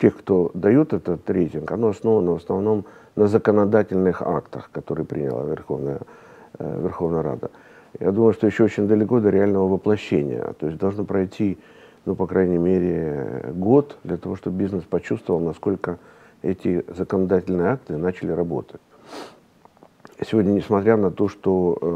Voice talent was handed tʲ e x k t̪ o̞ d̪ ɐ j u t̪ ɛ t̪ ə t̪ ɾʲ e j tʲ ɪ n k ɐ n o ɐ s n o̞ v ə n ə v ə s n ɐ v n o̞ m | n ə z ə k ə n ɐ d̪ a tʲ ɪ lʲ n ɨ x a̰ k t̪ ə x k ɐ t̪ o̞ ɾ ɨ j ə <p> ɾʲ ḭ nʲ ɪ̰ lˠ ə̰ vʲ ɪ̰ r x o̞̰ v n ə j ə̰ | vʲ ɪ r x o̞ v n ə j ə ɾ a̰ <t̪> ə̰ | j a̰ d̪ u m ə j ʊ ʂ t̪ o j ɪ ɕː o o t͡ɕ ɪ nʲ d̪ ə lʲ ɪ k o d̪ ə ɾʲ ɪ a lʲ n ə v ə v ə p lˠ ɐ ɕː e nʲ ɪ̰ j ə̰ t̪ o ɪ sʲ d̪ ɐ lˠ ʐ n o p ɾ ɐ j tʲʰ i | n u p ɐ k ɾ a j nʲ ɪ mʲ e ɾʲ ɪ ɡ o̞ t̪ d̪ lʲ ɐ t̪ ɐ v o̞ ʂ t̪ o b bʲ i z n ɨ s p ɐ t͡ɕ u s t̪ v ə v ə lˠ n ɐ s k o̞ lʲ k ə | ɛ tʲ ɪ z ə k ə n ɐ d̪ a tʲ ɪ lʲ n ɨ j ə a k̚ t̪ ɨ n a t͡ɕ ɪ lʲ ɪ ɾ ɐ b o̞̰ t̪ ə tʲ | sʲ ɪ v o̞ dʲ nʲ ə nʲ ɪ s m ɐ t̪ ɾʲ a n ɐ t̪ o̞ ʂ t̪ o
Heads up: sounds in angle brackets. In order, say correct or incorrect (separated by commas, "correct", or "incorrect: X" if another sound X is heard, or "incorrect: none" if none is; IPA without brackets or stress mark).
correct, incorrect: d̪